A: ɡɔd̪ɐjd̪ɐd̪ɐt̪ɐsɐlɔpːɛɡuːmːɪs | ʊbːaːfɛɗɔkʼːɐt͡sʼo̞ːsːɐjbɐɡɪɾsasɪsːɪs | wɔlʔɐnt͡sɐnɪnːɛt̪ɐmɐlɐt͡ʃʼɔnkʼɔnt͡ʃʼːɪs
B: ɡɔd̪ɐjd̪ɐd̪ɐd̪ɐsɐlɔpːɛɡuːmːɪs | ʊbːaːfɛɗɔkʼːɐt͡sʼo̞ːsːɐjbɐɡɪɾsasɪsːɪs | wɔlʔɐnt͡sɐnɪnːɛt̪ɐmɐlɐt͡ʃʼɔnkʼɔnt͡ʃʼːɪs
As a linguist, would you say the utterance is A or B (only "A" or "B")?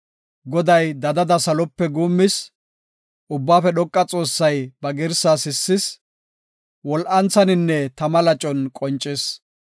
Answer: B